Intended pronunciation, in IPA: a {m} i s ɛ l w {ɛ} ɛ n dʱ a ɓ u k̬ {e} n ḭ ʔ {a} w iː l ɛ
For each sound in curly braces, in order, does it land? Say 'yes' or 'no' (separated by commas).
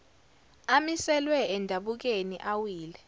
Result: yes, yes, yes, yes